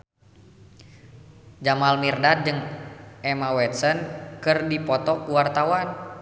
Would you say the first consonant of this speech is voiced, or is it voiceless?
voiced